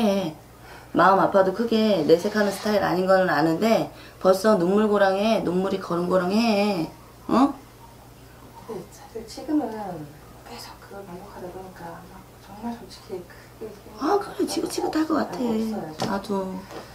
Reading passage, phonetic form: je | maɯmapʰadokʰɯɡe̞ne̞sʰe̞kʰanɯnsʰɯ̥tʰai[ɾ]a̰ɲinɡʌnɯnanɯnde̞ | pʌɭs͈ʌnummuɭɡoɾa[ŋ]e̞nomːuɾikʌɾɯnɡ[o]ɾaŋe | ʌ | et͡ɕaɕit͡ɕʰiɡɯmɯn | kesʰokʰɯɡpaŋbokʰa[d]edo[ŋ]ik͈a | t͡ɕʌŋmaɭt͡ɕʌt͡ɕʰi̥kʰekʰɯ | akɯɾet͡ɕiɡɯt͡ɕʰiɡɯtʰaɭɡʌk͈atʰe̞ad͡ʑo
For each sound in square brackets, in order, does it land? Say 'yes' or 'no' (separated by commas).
yes, yes, yes, yes, no